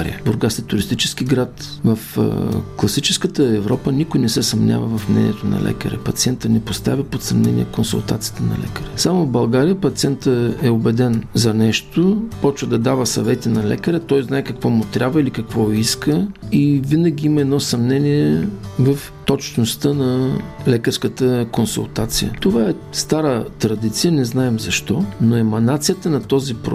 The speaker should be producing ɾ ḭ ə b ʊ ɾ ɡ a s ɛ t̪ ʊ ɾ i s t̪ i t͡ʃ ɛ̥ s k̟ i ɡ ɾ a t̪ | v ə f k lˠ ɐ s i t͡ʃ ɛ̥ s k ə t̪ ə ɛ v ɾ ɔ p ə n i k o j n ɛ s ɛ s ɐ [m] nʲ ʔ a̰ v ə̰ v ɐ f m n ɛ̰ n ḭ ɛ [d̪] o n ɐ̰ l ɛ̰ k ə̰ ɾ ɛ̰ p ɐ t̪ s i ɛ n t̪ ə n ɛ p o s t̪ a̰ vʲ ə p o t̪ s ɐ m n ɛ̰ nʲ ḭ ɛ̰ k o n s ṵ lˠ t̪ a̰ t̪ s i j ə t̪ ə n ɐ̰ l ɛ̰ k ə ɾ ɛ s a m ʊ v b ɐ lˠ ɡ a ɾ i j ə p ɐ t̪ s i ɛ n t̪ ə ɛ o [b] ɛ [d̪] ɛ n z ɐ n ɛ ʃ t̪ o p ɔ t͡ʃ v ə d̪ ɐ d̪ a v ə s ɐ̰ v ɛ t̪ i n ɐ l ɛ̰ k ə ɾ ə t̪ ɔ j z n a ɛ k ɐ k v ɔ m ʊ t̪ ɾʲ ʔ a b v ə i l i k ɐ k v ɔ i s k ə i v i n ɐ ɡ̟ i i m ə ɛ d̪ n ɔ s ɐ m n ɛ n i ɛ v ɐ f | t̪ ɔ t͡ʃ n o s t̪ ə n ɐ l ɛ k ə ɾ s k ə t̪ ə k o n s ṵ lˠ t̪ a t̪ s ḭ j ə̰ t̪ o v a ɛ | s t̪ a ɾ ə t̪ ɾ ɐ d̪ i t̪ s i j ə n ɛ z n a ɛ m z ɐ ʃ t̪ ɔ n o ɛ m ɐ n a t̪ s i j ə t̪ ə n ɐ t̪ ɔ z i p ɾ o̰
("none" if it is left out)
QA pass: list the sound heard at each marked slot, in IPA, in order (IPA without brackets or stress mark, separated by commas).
m, t̪, b, d̪